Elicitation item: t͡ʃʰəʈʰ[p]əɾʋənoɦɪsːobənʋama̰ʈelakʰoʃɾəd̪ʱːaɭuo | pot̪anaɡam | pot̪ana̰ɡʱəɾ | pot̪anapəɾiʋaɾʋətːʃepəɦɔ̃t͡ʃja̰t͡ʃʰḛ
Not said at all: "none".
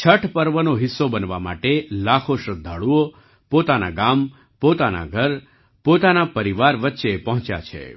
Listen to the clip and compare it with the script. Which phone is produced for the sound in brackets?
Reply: p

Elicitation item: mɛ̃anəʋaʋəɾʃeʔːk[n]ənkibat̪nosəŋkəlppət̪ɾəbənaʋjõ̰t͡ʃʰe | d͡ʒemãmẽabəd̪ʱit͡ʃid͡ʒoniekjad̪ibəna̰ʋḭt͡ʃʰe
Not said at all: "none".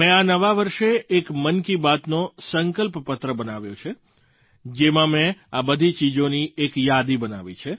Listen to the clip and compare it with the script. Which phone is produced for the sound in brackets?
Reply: m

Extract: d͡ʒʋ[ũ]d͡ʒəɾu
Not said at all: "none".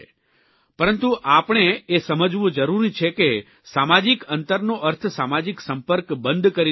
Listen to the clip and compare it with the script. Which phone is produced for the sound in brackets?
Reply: ũ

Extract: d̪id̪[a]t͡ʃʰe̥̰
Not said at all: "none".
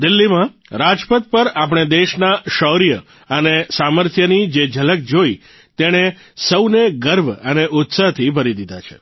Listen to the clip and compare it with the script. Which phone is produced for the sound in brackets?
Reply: a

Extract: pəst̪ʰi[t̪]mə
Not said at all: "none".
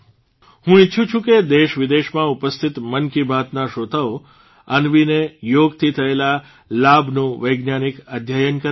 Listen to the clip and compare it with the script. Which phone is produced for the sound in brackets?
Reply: t̪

